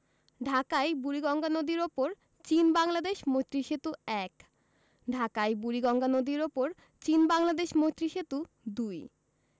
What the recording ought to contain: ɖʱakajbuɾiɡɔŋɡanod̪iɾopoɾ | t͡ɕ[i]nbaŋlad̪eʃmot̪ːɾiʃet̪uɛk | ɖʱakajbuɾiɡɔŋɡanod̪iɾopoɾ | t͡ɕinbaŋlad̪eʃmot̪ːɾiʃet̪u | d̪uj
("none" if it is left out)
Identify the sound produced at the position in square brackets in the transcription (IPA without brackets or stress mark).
i